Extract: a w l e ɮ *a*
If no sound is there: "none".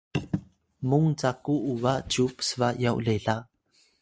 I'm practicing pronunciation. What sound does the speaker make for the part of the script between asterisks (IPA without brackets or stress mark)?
a